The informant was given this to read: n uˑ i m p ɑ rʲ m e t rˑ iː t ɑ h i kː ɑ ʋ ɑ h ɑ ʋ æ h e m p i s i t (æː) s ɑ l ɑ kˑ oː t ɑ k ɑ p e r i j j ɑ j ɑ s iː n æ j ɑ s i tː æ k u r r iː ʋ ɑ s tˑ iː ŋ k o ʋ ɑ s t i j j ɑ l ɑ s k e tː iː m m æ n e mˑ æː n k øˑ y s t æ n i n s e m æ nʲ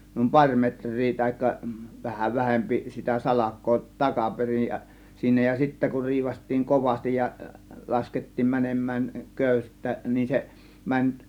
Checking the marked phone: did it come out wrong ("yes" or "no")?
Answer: yes